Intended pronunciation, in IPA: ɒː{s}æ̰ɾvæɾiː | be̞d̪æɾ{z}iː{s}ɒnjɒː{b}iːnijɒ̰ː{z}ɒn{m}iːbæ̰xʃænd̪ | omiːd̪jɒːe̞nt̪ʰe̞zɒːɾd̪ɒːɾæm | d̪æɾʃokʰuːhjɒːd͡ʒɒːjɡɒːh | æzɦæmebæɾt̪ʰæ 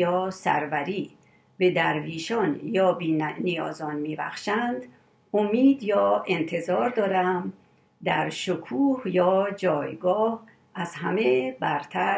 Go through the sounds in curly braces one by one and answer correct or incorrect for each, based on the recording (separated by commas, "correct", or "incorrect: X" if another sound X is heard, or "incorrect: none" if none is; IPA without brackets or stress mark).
correct, incorrect: v, incorrect: ʃ, correct, correct, correct